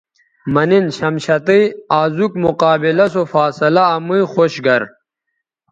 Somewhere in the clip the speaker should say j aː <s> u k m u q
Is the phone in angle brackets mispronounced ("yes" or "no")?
yes